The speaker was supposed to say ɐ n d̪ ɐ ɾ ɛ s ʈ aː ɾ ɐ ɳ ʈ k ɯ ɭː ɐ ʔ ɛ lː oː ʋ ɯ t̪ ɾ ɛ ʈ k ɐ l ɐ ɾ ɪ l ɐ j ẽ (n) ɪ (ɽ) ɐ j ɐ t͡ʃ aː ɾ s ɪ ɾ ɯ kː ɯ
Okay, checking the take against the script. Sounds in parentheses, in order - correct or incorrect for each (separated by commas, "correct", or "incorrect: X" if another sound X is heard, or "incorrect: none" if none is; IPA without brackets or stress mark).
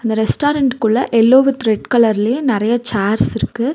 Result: correct, incorrect: ɾ